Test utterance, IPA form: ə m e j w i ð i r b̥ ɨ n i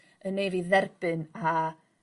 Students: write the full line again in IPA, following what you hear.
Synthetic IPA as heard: ə n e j v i ð ɛ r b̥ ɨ n a

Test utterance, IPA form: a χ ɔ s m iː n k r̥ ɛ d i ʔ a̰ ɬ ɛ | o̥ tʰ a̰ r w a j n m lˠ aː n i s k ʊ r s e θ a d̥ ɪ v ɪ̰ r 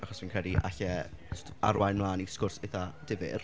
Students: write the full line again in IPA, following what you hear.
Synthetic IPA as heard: a χ ɔ s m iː n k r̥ ɛ d i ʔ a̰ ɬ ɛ | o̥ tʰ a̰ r w a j n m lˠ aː n i s k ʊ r s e θ a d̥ ɪ v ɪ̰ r

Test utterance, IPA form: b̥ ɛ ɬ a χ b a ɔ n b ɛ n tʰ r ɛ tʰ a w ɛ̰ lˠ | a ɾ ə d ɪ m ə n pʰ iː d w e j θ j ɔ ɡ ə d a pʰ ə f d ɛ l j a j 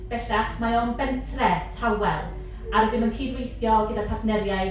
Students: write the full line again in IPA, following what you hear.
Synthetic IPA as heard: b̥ ɛ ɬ a χ m a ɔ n b ɛ n tʰ r ɛ tʰ a w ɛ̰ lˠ | a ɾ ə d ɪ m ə n kʰ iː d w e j θ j ɔ ɡ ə d a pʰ a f n ɛ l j a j

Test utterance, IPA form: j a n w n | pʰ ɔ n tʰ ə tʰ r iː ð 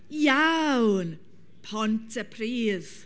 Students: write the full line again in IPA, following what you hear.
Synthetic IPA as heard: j a w n | pʰ ɔ n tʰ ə pʰ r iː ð

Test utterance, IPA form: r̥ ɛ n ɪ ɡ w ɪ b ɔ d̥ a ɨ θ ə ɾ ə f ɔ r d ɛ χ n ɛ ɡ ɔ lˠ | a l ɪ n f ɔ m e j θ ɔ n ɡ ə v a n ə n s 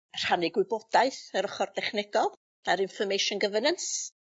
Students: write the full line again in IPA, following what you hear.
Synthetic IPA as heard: r̥ a n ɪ ɡ w ɪ b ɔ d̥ a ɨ θ ə ɾ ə χ ɔ r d ɛ χ n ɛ ɡ ɔ lˠ | a ɾ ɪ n f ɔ m e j ʃ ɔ n ɡ ə v ə n ə n s

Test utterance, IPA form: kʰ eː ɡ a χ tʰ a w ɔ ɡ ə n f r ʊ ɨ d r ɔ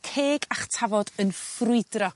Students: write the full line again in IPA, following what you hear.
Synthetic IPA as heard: kʰ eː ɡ a χ tʰ a v ɔ d ə n f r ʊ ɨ d r ɔ

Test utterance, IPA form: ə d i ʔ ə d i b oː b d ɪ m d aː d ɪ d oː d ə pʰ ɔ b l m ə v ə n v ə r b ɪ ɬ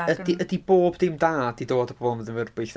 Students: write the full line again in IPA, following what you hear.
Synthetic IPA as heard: ə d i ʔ ə d i b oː b d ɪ m d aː d i d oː d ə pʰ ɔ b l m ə ð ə n v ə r b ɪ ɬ

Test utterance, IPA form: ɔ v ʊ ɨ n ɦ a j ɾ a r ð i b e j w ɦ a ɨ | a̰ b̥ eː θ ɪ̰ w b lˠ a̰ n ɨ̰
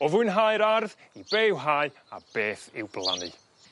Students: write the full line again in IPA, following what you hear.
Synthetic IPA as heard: ɔ v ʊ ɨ n ɦ a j ɾ a r ð i b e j w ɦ a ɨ | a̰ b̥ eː θ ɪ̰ w b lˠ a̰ n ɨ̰

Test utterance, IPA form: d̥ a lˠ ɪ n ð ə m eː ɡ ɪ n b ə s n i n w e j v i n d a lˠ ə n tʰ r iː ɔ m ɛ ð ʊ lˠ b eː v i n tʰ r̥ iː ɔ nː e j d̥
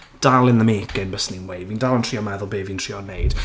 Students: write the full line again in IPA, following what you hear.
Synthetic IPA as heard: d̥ a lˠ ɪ n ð ə m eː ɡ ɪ n b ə s n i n w e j v i n d a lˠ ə n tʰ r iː ɔ m ɛ ð ʊ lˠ b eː v i n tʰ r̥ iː ɔ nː e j d̥

